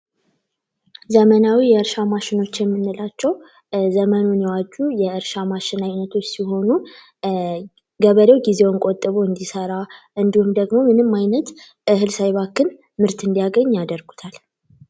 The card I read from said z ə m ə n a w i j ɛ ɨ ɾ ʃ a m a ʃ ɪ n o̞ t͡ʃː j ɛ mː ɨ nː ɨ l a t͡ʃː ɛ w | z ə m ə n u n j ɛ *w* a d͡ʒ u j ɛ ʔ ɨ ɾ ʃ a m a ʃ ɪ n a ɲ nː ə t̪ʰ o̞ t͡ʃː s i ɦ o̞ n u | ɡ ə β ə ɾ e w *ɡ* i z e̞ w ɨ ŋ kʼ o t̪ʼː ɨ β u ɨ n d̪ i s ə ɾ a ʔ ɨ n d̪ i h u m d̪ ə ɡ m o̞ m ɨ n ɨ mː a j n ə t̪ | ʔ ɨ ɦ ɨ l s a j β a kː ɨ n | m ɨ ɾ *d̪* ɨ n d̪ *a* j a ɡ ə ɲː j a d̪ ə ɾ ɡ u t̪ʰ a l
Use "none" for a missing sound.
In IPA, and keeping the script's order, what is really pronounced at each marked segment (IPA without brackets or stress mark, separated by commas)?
w, ɡ, t̪, i